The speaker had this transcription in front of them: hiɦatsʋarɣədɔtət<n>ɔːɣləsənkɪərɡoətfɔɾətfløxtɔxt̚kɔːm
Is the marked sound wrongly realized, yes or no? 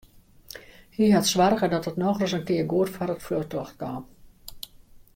no